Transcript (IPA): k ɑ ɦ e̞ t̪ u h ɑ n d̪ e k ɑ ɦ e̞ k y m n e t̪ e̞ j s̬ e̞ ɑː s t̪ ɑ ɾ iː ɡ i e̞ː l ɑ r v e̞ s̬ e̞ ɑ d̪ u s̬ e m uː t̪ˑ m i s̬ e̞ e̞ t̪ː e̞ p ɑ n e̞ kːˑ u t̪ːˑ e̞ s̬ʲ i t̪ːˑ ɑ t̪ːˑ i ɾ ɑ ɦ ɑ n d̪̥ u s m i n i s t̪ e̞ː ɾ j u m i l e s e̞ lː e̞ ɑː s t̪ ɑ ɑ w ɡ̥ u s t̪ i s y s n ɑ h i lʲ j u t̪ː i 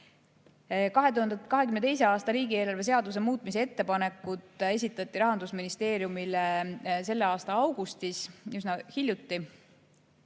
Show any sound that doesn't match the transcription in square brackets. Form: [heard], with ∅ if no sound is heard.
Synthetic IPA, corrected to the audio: k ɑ ɦ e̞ t̪ u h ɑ n d̪ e k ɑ ɦ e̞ k y m n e t̪ e̞ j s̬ e̞ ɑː s t̪ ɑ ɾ iː ɡ i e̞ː l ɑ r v e̞ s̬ e̞ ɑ d̪ u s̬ e m uː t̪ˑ m i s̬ e̞ e̞ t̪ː e̞ p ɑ n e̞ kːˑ u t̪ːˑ e̞ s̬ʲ i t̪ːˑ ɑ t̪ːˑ i ɾ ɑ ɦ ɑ n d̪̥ u s m i n i s t̪ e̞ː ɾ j u m i l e s e̞ lː e̞ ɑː s t̪ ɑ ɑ w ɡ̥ u s t̪ i s y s n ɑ h i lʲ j u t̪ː i